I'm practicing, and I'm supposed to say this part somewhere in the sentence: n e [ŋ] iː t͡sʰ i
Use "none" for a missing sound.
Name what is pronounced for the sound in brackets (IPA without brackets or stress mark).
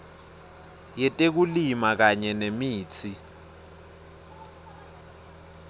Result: m